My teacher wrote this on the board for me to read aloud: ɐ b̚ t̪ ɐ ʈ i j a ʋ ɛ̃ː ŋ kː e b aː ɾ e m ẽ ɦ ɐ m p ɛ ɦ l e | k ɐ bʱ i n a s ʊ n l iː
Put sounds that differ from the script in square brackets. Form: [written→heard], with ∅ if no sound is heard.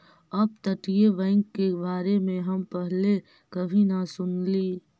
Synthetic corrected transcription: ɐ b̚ t̪ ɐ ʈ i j [a→e] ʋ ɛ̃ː ŋ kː e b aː ɾ e m ẽ ɦ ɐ m p ɛ ɦ l e | k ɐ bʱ i n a s ʊ n l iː